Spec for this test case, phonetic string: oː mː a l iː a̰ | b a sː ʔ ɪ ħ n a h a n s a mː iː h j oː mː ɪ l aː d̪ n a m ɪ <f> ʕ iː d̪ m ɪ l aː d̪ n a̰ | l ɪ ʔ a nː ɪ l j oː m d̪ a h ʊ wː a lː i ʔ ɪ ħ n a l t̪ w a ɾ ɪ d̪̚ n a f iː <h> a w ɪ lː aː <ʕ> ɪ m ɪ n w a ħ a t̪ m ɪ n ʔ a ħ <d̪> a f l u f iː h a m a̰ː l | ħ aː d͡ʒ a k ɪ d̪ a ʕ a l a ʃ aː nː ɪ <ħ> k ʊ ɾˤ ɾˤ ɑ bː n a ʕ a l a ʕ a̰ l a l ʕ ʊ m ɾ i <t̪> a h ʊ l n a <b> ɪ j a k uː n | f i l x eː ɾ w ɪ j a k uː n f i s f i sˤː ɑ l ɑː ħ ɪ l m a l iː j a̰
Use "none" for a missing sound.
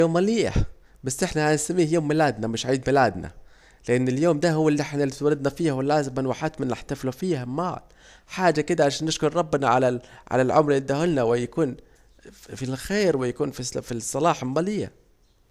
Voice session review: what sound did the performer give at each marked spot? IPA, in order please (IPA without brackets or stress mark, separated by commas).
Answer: ʃ, h, z, t̪, ʃ, d̪, w